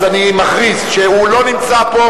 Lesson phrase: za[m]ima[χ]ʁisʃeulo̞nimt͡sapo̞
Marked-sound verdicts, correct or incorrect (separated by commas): incorrect, correct